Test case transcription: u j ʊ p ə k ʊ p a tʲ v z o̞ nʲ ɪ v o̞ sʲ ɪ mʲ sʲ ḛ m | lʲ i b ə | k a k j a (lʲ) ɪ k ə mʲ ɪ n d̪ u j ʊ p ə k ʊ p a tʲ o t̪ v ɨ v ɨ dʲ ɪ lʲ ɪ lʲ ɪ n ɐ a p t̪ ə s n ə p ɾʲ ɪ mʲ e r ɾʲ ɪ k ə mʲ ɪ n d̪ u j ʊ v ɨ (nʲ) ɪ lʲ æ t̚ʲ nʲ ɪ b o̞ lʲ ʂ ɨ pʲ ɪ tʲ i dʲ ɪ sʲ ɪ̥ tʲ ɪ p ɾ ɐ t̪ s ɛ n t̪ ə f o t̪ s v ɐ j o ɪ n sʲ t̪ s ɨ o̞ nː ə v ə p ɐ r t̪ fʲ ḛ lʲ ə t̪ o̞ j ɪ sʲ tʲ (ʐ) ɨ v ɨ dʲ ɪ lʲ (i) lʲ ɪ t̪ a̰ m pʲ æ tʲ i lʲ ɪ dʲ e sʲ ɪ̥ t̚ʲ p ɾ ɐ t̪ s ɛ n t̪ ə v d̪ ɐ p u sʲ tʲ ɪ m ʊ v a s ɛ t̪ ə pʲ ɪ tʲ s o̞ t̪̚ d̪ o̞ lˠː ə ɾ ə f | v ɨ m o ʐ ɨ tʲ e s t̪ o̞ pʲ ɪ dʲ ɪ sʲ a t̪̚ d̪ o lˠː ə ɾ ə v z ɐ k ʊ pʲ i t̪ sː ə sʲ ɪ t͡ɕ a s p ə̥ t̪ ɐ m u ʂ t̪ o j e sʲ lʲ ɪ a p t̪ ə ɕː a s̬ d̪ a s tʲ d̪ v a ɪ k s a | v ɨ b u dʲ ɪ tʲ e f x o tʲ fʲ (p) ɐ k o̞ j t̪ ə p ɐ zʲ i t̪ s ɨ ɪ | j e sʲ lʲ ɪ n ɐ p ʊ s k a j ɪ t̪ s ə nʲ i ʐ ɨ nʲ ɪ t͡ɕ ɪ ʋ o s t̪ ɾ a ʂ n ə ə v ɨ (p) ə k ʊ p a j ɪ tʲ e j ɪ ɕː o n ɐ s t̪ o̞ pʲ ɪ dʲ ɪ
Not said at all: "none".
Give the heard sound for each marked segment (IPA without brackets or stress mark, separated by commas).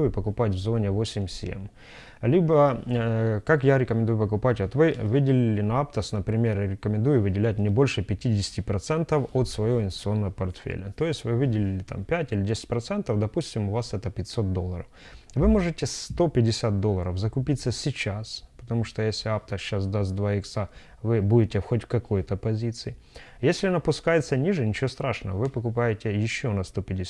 ɾʲ, dʲ, v, ɪ, k, p